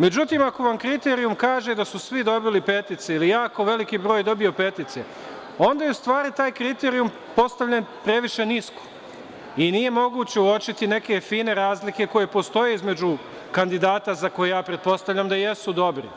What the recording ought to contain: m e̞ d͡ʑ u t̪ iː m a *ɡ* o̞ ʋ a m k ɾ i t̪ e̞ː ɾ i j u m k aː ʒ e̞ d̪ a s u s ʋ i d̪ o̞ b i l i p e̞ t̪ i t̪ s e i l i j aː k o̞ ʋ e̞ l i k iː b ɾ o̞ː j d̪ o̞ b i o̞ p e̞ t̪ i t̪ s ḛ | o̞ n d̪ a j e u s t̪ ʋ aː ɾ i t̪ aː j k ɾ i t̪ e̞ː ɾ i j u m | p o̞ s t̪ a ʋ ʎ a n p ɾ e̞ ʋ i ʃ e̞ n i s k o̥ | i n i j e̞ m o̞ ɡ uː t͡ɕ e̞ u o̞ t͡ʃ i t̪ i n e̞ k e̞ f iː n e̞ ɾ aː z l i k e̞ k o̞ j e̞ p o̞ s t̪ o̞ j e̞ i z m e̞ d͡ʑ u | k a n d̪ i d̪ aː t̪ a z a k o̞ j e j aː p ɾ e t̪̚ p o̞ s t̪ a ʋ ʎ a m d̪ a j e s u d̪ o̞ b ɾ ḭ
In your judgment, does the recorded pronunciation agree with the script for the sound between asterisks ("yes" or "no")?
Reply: no